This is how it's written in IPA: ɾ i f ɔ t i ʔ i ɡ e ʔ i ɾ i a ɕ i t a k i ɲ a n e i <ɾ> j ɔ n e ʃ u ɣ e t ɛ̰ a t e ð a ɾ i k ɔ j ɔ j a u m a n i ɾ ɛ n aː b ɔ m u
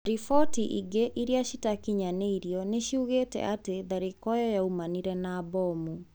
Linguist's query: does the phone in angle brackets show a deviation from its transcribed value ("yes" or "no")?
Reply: no